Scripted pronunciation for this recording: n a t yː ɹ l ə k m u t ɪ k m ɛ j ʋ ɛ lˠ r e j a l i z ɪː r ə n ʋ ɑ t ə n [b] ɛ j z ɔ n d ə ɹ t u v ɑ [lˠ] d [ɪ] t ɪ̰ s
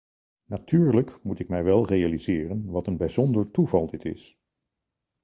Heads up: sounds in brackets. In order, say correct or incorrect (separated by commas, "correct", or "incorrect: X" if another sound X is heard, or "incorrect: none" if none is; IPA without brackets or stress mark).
correct, correct, correct